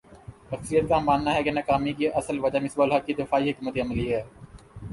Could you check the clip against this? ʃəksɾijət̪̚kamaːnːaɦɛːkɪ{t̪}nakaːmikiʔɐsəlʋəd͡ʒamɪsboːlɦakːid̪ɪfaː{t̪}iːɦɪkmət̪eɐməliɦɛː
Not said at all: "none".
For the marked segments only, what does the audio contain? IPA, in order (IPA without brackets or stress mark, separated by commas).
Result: none, none